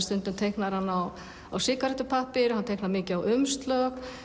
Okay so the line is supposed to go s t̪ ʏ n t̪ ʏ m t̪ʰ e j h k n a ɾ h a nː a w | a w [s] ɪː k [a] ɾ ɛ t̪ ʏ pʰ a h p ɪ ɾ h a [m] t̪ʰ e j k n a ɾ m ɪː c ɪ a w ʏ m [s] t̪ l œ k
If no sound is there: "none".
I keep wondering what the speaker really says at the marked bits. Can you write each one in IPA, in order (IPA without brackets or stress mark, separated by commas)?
s, a, n, s